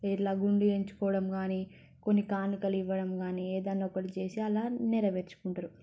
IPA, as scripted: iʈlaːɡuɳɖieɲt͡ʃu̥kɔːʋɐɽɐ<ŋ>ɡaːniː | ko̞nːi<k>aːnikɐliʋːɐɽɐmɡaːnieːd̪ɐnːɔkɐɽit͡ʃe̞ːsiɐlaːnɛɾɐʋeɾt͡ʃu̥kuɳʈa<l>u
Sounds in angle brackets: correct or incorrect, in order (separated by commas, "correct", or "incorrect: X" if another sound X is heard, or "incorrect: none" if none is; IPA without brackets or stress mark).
incorrect: m, correct, incorrect: ɾ